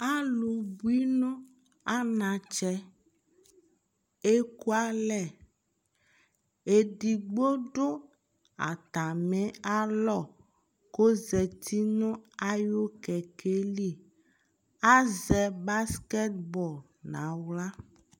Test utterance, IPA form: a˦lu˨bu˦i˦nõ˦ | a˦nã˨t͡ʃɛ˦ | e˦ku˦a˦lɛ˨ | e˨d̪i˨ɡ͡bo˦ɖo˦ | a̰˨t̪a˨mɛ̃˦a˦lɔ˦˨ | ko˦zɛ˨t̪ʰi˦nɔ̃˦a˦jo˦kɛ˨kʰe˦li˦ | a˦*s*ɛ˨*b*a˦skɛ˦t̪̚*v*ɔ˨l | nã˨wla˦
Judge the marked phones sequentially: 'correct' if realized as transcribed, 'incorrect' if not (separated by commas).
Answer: incorrect, correct, incorrect